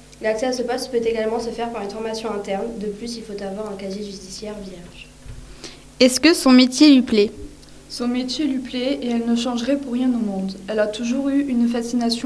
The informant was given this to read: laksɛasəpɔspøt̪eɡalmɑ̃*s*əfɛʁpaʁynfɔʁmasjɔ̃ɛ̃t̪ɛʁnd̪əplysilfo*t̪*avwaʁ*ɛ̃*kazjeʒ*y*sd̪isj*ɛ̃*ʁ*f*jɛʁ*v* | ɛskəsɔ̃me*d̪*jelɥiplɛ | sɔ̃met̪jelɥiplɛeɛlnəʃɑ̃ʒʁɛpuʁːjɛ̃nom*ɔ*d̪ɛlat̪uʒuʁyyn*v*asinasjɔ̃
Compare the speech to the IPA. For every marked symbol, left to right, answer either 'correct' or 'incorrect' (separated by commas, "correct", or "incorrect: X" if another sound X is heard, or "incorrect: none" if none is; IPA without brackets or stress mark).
correct, correct, correct, correct, incorrect: ɛ, incorrect: v, incorrect: ʒ, incorrect: t̪, incorrect: ɔ̃, incorrect: f